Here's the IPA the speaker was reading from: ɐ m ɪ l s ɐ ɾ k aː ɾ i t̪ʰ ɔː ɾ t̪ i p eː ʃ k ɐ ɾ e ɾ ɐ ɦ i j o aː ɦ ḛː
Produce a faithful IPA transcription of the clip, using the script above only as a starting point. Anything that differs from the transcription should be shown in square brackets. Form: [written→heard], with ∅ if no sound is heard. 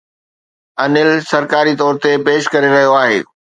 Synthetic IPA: ɐ [m→n] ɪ l s ɐ ɾ k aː ɾ i [t̪ʰ→t̪] ɔː ɾ t̪ [i→e] p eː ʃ k ɐ ɾ e ɾ ɐ ɦ i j o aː ɦ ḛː